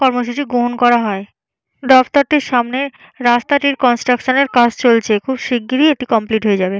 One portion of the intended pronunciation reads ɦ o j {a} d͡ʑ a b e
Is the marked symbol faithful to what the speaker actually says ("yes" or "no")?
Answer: no